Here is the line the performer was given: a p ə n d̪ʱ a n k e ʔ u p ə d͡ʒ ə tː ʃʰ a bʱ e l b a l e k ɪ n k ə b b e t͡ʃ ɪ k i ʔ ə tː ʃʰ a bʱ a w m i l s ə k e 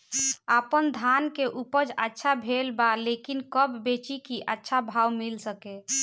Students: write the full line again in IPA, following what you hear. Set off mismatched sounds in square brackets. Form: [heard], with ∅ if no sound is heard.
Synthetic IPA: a p ə n d̪ʱ a n k e ʔ u p ə d͡ʒ ə tː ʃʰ a bʱ e l b a l e k [i] n k ə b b e t͡ʃ [i] k i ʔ ə tː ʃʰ a bʱ a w m i l s ə k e